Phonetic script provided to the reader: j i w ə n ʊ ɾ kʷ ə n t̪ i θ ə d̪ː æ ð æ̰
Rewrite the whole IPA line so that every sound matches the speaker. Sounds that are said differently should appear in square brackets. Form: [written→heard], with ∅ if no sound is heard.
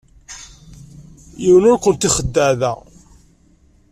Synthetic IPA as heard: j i w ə n ʊ ɾ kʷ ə n t̪ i [θ→χ] ə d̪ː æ ð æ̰